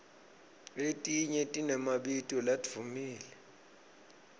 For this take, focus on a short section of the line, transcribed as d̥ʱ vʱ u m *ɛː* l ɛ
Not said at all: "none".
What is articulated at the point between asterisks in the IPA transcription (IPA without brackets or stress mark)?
iː